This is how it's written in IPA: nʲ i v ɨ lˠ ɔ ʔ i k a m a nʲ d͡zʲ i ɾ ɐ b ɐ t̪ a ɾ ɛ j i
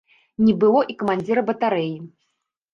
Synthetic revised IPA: nʲ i b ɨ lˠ ɔ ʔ i k ɐ m a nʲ d͡zʲ i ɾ ɐ b ɐ t̪ a ɾ ɛ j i

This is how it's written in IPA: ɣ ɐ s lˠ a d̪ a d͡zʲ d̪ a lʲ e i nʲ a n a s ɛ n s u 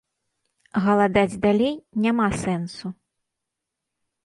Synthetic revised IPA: ɣ ɐ lˠ a d̪ a d͡zʲ d̪ a lʲ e j nʲ a m a s ɛ n s u

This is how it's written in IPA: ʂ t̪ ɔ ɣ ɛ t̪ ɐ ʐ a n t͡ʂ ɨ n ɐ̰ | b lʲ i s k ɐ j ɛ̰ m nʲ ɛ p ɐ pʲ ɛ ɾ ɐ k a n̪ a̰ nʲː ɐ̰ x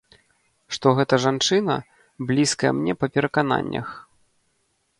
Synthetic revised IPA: ʂ t̪ ɔ ɣ ɛ t̪ ɐ ʐ a n t͡ʂ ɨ n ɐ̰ | b lʲ i s k ɐ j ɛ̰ m nʲ ɛ p ɐ pʲ ɛ ɾ ɐ k a n̪ a̰ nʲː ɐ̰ x

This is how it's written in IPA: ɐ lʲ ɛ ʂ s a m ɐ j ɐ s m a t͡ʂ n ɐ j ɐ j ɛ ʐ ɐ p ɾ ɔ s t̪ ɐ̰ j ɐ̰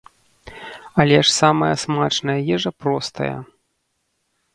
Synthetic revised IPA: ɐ lʲ ɛ ʂ s a m ɐ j ɐ s m a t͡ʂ n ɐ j ɐ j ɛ ʐ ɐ p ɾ ɔ s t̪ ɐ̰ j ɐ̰

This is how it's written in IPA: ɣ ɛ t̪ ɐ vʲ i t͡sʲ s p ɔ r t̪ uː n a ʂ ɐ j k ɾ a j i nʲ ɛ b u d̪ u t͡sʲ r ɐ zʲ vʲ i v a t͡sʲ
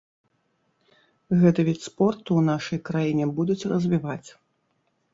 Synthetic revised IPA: ɣ ɛ t̪ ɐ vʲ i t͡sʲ s p ɔ r t̪ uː n a ʂ ɐ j k ɾ a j i nʲ ɛ b u d̪ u t͡sʲ r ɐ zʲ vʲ i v a t͡sʲ

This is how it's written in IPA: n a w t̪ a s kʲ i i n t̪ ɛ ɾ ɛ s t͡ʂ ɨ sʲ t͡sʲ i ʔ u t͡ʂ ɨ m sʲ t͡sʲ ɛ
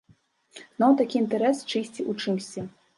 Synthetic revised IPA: n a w t̪ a kʲ i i n t̪ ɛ ɾ ɛ s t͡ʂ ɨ sʲ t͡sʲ i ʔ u t͡ʂ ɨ m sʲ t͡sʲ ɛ

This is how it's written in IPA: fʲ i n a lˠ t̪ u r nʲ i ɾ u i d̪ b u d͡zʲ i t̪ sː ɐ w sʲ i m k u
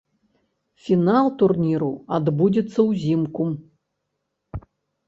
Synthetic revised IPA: fʲ i n a lˠ t̪ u r nʲ i ɾ u a d̪ b u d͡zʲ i t̪ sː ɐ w zʲ i m k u

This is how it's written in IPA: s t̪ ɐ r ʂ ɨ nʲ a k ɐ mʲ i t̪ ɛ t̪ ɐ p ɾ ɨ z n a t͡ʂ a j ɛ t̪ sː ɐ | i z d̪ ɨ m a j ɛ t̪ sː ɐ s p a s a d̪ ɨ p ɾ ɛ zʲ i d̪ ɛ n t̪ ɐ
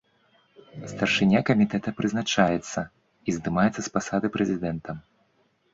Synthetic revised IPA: s t̪ ɐ r ʂ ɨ nʲ a k ɐ mʲ i t̪ ɛ t̪ ɐ p ɾ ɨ z n a t͡ʂ a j ɛ t̪ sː ɐ | i z d̪ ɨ m a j ɛ t̪ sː ɐ s p a s a d̪ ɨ p ɾ ɛ zʲ i d̪ ɛ n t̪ ɐ

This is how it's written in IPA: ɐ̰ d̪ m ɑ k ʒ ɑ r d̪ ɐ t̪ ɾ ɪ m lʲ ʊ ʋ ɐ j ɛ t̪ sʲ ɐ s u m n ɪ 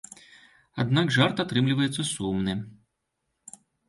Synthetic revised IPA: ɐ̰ d̪ n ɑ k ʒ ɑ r t̪ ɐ t̪ ɾ ɪ m lʲ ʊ ʋ ɐ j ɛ t̪ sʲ ɐ s u m n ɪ

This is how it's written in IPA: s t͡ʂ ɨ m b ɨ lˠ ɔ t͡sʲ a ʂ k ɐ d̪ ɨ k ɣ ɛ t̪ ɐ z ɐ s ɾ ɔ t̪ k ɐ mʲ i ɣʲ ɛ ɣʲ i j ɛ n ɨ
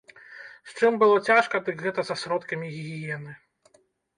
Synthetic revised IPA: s t͡ʂ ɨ m b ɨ lˠ ɔ t͡sʲ a ʂ k ɐ d̪ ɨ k ɣ ɛ t̪ ɐ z ɐ s ɾ ɔ t̪ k ɐ mʲ i ɣʲ i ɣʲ i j ɛ n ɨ

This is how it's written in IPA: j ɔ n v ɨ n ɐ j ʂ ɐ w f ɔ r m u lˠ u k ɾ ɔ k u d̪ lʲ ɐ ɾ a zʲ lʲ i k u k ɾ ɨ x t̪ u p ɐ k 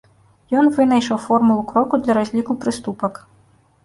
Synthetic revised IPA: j ɔ n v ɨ n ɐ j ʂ ɐ w f ɔ r m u lˠ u k ɾ ɔ k u d̪ lʲ ɐ ɾ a zʲ lʲ i k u p ɾ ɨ s t̪ u p ɐ k

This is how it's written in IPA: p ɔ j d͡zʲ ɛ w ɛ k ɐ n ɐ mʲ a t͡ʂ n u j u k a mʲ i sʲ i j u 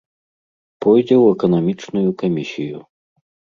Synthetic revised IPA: p ɔ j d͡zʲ ɛ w ɛ k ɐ n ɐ mʲ i t͡ʂ n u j u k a mʲ i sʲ i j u

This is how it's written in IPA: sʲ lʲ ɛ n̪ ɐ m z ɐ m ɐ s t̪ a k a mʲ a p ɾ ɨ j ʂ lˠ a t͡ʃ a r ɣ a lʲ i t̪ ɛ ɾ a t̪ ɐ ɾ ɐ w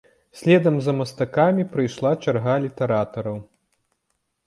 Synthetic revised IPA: sʲ lʲ ɛ d̪ ɐ m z ɐ m ɐ s t̪ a k a mʲ i p ɾ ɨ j ʂ lˠ a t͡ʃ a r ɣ a lʲ i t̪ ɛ ɾ a t̪ ɐ ɾ ɐ w

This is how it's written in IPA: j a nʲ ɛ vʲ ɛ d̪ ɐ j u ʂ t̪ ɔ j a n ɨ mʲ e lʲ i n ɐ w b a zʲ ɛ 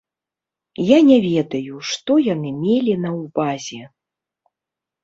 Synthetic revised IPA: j a nʲ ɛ vʲ ɛ d̪ ɐ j u ʂ t̪ ɔ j a n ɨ mʲ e lʲ i n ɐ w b a zʲ ɛ

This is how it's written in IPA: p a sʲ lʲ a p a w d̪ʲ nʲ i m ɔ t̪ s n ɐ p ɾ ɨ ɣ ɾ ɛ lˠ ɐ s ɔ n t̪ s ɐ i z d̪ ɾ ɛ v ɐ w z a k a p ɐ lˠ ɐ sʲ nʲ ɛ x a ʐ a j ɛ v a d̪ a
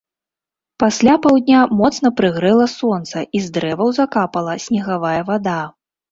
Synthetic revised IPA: p a sʲ lʲ a p a w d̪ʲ nʲ a m ɔ t̪ s n ɐ p ɾ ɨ ɣ ɾ ɛ lˠ ɐ s ɔ n t̪ s ɐ i z d̪ ɾ ɛ v ɐ w z a k a p ɐ lˠ ɐ sʲ nʲ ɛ ɣ a v a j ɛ v a d̪ a

